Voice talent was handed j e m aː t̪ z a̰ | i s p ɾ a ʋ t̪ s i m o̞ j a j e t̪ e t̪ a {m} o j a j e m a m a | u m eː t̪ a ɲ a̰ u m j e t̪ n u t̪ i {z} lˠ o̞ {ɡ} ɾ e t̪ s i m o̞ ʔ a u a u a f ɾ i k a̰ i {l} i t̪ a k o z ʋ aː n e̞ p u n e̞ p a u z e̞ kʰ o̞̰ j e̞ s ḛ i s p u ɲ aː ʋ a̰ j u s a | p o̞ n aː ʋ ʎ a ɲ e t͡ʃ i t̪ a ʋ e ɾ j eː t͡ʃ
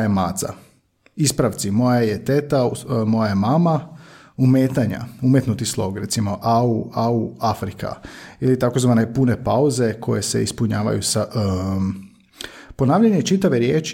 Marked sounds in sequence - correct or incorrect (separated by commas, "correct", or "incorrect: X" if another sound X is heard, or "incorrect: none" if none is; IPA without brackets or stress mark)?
correct, incorrect: s, correct, correct